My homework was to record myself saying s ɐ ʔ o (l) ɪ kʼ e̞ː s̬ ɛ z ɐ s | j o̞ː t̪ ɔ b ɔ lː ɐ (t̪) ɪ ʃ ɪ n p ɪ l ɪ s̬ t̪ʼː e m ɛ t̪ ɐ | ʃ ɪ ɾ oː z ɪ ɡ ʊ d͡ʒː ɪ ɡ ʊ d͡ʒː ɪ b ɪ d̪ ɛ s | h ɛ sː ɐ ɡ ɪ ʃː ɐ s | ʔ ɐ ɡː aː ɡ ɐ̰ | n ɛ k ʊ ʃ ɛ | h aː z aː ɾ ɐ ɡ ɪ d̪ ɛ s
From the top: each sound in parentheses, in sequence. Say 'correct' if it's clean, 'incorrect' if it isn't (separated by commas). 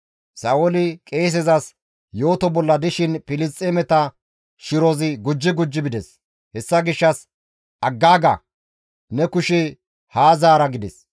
correct, incorrect